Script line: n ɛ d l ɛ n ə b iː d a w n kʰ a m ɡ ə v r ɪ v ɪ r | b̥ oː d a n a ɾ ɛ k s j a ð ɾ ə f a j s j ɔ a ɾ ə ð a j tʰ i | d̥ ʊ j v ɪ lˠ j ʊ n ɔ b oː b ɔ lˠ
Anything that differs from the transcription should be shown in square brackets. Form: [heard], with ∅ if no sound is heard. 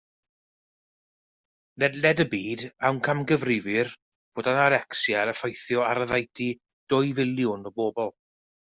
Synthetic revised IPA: n ɛ d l ɛ [d] ə b iː d a w n kʰ a m ɡ ə v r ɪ v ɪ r | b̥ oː d a n a ɾ ɛ k s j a [∅] ɾ ə f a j [θ] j ɔ a ɾ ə ð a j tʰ i | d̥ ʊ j v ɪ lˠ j ʊ n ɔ b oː b ɔ lˠ